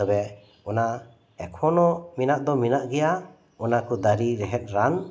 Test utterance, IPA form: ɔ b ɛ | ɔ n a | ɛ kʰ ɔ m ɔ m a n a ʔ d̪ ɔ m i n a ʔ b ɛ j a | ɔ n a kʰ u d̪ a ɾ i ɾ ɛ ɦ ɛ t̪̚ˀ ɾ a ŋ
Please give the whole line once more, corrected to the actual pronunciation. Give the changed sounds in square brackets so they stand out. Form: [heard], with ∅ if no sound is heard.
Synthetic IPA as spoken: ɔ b ɛ | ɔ n a | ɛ kʰ ɔ [n] ɔ m [i] n a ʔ d̪ ɔ m i n a ʔ [ɡ] ɛ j a | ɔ n a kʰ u d̪ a ɾ i ɾ ɛ ɦ ɛ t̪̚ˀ ɾ a [n]